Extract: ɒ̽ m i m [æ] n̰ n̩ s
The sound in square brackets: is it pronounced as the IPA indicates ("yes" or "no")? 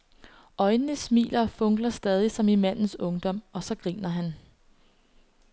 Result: yes